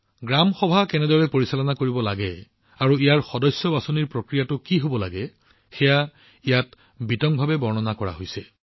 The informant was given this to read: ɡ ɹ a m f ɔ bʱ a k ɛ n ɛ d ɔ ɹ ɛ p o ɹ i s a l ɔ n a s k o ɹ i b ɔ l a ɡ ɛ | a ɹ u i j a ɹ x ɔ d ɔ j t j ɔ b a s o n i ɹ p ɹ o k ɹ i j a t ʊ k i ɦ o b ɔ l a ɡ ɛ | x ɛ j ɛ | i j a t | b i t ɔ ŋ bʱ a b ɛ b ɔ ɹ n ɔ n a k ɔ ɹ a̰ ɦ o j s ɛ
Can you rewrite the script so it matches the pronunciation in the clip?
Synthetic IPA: ɡ ɹ a m x ɔ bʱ a k ɛ n ɛ d ɔ ɹ ɛ p o ɹ i s a l ɔ n a k o ɹ i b ɔ l a ɡ ɛ | a ɹ u i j a ɹ x ɔ d ɔ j s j ɔ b a s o n i ɹ p ɹ o k ɹ i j a t ʊ k i ɦ o b ɔ l a ɡ ɛ | x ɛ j a | i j a t | b i t ɔ ŋ bʱ a b ɛ b ɔ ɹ n ɔ n a k ɔ ɹ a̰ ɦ o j s ɛ